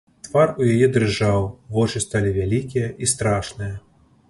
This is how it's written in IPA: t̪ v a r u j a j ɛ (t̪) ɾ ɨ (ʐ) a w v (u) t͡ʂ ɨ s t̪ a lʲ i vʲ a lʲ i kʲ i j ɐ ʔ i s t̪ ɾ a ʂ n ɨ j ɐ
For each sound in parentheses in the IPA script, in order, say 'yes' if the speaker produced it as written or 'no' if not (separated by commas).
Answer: no, yes, no